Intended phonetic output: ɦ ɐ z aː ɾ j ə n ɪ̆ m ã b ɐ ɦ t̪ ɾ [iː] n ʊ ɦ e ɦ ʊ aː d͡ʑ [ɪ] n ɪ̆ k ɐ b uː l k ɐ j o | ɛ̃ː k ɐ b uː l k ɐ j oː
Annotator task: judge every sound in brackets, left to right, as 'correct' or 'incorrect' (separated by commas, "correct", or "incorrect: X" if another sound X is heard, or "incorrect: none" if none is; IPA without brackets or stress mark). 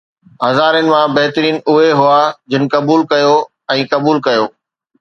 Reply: correct, correct